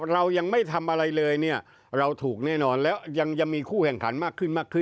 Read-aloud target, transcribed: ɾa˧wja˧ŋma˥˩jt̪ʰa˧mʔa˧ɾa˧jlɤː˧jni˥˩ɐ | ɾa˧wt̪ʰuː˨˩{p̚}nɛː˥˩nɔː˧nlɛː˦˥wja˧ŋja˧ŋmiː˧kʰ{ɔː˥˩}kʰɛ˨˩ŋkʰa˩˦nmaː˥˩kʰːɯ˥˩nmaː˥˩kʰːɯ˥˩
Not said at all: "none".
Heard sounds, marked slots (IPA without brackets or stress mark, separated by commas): k̚, uː˥˩